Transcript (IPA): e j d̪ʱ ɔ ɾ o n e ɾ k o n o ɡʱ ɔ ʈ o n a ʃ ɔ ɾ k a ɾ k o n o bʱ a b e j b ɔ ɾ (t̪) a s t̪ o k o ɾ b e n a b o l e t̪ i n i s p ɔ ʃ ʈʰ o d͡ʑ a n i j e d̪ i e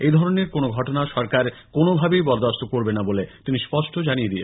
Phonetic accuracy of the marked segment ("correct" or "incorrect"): incorrect